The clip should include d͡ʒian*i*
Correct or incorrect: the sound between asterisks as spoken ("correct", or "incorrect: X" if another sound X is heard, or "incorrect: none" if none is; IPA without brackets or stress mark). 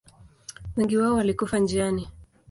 correct